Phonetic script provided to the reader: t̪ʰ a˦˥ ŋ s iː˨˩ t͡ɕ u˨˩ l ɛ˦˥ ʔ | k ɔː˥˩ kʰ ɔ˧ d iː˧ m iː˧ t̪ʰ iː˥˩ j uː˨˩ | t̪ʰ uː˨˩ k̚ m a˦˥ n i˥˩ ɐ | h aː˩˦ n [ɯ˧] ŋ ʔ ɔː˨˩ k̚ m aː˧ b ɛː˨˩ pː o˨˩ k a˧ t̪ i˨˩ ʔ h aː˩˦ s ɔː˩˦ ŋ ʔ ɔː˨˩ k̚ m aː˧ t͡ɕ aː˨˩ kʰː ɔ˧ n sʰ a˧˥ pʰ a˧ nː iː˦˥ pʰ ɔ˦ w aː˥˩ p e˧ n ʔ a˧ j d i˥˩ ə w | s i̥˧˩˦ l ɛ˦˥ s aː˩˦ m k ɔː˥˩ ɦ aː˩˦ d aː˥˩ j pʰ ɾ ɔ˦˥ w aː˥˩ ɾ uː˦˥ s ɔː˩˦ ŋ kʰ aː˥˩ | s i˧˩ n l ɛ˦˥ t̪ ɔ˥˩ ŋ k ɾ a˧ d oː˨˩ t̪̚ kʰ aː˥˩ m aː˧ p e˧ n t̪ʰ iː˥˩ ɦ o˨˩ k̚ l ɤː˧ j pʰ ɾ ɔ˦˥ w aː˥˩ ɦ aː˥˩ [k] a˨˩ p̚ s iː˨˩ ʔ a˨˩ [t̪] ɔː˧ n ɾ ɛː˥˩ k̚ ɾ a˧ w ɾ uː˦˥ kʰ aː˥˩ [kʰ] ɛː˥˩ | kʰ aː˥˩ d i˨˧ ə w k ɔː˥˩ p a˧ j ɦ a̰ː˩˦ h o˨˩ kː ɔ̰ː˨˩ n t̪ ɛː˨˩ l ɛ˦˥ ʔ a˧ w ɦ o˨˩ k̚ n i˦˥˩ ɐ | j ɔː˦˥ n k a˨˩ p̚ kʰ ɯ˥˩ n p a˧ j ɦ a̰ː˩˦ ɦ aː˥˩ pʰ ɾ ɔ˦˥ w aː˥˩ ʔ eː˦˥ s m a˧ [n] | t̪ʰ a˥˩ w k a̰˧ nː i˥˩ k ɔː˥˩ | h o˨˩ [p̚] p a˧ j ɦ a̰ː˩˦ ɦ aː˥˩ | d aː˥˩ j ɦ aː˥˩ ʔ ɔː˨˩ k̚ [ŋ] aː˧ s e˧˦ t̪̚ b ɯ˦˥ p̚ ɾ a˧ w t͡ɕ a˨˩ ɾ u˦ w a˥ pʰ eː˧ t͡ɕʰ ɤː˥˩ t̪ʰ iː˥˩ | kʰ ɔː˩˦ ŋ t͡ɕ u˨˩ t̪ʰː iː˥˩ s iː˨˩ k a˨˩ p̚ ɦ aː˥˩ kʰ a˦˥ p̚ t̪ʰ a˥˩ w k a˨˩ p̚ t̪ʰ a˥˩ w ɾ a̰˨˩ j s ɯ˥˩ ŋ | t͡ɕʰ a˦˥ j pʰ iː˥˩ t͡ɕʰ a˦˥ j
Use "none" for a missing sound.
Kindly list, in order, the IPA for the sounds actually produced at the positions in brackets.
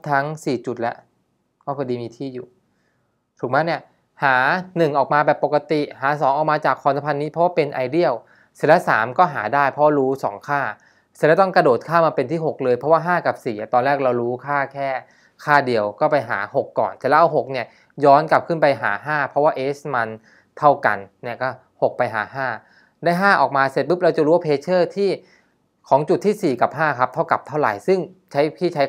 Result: ɯ˨˩, k, t̪, kʰ, n, k̚, m

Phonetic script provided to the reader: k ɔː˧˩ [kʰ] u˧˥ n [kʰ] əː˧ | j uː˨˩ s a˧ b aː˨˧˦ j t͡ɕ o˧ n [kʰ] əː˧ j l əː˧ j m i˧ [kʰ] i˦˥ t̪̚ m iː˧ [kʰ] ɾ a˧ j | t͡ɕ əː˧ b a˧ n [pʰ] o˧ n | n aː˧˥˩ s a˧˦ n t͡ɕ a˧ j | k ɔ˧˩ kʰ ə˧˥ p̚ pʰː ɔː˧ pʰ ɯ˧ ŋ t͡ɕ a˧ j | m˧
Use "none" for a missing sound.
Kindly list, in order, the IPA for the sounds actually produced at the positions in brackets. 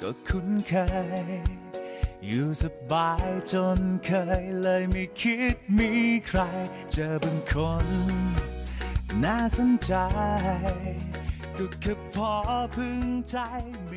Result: kʰ, kʰ, kʰ, kʰ, kʰ, kʰ

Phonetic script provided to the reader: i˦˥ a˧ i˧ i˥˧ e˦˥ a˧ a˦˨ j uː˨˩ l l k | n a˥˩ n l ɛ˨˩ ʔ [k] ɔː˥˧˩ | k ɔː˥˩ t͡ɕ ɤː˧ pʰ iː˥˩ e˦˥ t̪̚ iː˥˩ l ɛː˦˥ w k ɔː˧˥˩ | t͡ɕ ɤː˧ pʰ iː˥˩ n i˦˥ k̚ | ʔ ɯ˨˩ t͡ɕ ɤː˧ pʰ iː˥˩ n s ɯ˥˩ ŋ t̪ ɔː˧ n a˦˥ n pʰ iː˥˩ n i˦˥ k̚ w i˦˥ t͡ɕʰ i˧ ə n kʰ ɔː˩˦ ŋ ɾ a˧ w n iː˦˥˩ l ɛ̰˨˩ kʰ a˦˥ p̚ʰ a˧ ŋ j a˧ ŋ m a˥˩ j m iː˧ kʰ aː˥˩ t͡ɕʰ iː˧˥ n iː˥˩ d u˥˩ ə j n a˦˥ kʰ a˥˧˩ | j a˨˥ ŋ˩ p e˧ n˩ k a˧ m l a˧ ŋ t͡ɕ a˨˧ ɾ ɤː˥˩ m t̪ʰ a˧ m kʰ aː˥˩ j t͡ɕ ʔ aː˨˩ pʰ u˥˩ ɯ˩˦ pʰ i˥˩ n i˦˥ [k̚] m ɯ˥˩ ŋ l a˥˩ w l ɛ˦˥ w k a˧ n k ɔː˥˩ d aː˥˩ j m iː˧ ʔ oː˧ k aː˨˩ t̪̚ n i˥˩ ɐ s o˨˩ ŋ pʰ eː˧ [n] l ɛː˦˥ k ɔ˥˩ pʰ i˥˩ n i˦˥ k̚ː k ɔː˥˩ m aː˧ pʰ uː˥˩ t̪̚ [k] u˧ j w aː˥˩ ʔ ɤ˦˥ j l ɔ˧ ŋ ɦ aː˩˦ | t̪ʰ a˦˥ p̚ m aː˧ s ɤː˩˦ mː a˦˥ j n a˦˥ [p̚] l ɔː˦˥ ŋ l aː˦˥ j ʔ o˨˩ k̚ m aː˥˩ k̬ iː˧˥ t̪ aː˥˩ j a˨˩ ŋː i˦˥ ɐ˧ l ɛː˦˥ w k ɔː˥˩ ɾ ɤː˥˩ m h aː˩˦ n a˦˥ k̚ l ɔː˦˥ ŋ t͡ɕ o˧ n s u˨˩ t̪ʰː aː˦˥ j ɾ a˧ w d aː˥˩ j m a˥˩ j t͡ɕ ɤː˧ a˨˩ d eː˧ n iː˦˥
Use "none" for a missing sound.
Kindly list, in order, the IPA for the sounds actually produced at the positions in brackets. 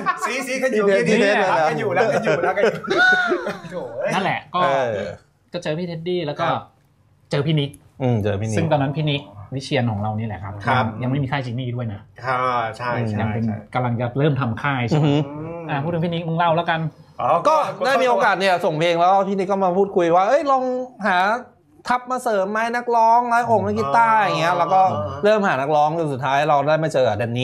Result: k, k̚, ŋ, kʰ, k̚

